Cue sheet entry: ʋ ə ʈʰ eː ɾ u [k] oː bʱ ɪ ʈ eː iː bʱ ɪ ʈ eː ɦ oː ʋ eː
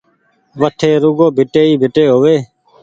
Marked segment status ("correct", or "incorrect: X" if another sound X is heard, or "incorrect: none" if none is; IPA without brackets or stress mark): incorrect: ɡ